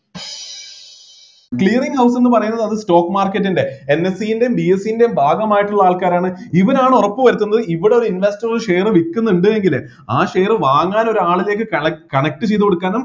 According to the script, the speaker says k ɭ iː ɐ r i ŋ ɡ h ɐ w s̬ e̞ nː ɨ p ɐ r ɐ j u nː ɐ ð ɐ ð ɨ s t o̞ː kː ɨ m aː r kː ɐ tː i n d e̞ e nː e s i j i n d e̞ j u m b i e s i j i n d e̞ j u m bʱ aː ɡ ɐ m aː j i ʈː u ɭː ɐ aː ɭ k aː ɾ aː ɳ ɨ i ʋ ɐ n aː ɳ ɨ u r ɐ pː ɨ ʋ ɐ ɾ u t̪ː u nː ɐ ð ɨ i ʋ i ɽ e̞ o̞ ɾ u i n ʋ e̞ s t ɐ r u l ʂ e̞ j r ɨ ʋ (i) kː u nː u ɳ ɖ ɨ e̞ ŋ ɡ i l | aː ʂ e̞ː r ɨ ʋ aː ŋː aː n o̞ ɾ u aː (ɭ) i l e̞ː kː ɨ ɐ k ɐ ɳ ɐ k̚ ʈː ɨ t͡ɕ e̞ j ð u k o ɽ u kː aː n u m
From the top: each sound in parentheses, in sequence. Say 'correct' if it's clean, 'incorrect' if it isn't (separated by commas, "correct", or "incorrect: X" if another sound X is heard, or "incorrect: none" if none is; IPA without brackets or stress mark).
correct, correct